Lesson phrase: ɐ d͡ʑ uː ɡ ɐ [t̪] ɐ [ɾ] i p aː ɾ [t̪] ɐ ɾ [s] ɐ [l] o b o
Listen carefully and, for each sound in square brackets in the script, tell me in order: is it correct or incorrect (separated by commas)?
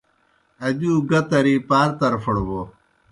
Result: correct, correct, correct, incorrect, incorrect